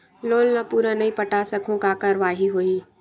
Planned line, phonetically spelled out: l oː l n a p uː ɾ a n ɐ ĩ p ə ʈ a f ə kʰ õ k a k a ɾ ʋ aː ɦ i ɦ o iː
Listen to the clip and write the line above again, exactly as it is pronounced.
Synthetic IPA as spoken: l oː l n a p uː ɾ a n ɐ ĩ p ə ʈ a s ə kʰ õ k a k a ɾ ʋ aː ɦ i ɦ o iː